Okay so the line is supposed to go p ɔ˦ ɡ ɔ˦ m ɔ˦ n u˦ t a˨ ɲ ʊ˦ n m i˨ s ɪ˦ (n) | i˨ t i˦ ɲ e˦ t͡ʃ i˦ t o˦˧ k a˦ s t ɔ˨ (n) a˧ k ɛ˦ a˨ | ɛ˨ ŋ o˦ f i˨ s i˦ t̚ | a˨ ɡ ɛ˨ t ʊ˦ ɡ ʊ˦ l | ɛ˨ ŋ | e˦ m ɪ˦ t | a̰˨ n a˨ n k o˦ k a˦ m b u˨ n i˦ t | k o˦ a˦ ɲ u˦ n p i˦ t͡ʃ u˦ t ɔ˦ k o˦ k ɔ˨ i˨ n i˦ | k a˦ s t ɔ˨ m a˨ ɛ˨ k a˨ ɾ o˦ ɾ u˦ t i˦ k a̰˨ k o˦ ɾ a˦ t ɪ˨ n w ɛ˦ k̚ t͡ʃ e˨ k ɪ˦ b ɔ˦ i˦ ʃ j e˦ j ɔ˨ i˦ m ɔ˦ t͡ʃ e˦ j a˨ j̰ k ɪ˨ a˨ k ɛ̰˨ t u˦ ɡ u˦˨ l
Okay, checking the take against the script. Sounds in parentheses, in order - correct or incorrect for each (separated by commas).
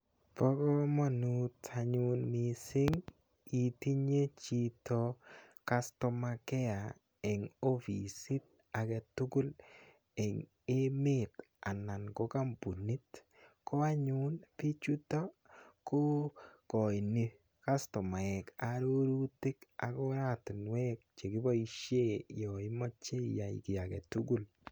incorrect, incorrect